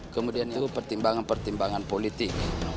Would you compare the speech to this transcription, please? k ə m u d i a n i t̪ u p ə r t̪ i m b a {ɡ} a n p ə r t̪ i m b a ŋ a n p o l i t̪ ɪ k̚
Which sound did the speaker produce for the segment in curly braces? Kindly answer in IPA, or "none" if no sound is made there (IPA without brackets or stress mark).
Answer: ŋ